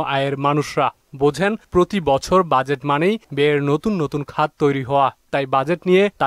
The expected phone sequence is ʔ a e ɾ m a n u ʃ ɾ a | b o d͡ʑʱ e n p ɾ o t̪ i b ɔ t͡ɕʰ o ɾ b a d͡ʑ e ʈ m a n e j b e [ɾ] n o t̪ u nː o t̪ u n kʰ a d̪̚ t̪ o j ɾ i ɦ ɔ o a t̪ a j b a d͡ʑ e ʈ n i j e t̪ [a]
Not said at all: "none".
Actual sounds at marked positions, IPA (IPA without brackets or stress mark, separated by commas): ɾ, a